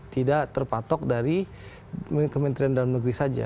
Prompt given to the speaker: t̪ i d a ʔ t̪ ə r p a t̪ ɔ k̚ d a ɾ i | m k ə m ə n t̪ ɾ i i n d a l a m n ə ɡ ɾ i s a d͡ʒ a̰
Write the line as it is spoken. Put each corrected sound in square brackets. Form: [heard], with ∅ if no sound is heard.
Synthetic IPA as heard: t̪ i d a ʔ t̪ ə r p a t̪ ɔ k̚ d a ɾ i | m k ə m ə n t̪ ɾ i [a] n d a l a m n ə ɡ ɾ i s a d͡ʒ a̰